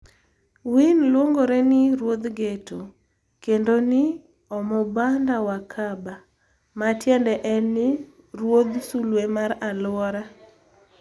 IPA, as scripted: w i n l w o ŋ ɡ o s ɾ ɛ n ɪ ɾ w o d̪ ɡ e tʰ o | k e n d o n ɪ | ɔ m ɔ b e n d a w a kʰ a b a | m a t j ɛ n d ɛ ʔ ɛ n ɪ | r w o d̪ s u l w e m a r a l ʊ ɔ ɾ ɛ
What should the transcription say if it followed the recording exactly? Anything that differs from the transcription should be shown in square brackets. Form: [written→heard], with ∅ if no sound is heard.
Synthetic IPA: w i n l w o ŋ ɡ o [s→∅] ɾ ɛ n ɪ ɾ w o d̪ ɡ e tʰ o | k e n d o n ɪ | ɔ m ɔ b [e→a] n d a w a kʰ a b a | m a t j ɛ n d ɛ ʔ ɛ n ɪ | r w o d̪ s u l w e m a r a l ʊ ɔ ɾ [ɛ→a]